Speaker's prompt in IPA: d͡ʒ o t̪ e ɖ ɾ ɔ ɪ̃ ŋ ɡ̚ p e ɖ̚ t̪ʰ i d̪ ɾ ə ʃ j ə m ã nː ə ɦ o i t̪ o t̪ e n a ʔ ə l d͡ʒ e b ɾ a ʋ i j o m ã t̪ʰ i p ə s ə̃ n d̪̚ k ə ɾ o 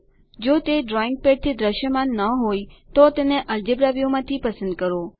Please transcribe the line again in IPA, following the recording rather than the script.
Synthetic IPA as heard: d͡ʒ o t̪ e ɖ ɾ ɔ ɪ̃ ŋ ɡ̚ p e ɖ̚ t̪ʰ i d̪ ɾ ə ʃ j ə m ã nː ə ɦ o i t̪ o t̪ e n e ʔ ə l d͡ʒ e b ɾ a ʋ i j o m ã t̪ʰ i p ə s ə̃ n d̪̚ k ə ɾ o